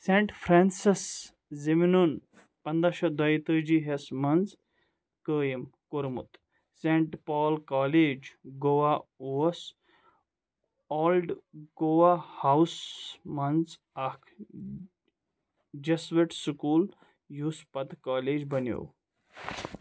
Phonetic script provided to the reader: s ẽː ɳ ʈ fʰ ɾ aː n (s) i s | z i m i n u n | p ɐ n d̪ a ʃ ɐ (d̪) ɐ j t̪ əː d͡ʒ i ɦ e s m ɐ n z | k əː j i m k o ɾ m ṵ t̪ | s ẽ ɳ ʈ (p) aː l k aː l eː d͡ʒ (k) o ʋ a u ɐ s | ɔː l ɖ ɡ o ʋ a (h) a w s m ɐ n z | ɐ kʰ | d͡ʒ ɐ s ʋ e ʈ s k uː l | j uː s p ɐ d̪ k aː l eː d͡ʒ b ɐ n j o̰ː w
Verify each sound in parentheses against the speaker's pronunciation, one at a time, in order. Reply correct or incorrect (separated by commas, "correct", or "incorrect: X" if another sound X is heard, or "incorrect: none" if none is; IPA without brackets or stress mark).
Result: correct, correct, correct, incorrect: ɡ, correct